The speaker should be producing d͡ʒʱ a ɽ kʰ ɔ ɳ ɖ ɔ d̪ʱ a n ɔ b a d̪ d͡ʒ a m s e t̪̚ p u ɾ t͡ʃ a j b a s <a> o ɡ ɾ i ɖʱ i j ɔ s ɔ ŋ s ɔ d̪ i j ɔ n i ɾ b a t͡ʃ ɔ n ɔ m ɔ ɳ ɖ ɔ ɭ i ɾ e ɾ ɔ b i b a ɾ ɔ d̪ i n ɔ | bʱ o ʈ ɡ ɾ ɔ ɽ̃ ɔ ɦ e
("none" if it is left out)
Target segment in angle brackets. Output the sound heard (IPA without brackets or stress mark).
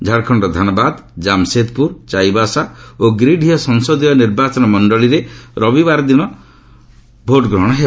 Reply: a